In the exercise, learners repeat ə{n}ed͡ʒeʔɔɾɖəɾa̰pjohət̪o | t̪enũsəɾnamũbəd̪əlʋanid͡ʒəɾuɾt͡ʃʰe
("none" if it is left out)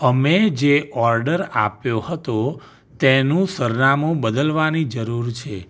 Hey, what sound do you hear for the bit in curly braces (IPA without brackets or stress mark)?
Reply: m